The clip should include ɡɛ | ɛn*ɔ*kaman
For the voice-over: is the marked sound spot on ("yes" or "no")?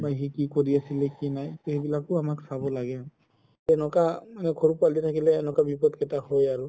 yes